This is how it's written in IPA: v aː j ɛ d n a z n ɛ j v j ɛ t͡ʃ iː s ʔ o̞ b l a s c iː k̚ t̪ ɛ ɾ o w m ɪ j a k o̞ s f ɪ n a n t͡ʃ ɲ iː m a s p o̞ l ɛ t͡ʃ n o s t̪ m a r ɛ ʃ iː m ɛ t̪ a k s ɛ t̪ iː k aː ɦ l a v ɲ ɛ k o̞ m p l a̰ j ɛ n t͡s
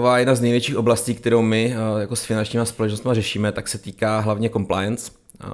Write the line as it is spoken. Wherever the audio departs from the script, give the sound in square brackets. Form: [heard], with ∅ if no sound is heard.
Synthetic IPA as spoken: v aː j ɛ d n a z n ɛ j v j ɛ t͡ʃ iː [x] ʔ o̞ b l a s c iː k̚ t̪ ɛ ɾ o w m ɪ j a k o̞ s f ɪ n a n t͡ʃ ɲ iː m a s p o̞ l ɛ t͡ʃ n o s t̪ m a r ɛ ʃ iː m ɛ t̪ a k s ɛ t̪ iː k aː ɦ l a v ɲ ɛ k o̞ m p l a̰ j ɛ n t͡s